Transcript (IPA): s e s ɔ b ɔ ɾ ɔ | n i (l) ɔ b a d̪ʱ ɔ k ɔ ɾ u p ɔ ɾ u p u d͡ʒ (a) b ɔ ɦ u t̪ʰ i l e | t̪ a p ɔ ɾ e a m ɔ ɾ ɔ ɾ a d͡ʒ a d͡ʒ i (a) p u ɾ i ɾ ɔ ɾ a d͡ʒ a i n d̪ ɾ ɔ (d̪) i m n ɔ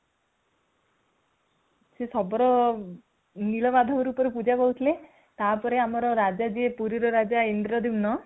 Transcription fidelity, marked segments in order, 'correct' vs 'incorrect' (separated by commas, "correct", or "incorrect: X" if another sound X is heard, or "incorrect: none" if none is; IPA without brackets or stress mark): correct, correct, incorrect: e, correct